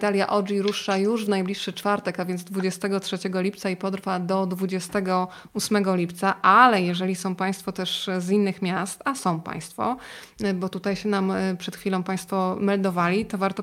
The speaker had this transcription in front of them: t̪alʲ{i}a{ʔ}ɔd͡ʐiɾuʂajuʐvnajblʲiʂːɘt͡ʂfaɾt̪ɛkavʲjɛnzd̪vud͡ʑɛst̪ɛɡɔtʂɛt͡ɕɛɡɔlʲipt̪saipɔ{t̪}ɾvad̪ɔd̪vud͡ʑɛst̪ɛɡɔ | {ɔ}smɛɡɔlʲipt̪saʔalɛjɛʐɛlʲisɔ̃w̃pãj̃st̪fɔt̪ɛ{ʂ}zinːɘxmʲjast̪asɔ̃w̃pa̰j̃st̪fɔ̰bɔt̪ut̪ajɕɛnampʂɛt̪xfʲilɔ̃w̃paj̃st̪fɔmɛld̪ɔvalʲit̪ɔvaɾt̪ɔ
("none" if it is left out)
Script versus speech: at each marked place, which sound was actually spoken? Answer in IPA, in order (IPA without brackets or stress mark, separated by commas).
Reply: j, ʔ, d̪, u, ʂ